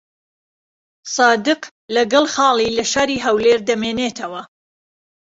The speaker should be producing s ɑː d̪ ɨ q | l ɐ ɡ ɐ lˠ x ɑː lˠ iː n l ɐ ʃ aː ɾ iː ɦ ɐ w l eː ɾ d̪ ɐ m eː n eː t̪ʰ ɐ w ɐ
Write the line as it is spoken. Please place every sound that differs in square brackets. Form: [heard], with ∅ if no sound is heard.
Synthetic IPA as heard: s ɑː d̪ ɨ q | l ɐ ɡ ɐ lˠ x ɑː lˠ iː [∅] l ɐ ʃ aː ɾ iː ɦ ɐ w l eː ɾ d̪ ɐ m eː n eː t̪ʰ ɐ w ɐ